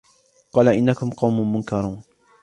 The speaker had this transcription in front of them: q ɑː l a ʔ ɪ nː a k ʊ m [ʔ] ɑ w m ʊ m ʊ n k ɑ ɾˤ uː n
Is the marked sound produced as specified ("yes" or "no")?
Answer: no